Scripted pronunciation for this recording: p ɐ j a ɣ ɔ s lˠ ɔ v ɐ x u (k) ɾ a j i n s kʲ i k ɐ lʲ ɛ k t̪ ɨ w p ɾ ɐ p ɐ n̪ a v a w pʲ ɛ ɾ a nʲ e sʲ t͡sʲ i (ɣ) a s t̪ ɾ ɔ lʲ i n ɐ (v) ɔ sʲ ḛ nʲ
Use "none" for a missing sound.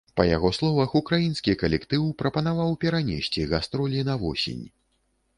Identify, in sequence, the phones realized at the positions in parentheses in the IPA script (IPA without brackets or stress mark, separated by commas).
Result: k, ɣ, v